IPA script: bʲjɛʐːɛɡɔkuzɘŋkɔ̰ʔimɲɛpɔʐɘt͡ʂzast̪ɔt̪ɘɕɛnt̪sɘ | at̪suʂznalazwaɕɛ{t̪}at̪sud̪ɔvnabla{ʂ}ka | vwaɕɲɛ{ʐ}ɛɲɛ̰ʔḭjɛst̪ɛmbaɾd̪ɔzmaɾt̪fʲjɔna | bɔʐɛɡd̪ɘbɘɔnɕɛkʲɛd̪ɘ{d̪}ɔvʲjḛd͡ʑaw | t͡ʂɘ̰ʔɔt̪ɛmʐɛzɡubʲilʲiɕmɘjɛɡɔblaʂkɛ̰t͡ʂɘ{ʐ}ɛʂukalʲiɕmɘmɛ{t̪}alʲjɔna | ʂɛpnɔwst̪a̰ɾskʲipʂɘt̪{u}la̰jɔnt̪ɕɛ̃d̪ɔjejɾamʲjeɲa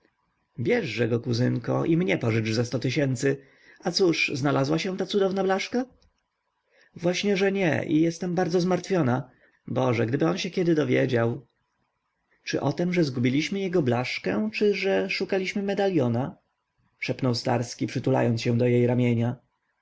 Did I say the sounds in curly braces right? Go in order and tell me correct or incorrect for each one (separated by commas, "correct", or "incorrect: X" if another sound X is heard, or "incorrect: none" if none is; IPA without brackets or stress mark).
correct, correct, correct, correct, correct, incorrect: d̪, correct